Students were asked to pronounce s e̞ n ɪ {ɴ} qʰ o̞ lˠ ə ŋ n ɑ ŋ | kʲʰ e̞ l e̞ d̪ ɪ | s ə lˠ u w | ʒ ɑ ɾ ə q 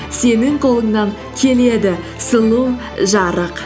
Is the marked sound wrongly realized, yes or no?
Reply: yes